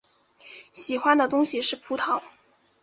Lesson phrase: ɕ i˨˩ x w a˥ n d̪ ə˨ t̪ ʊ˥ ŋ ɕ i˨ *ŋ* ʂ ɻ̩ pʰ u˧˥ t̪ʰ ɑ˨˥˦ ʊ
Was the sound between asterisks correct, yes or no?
no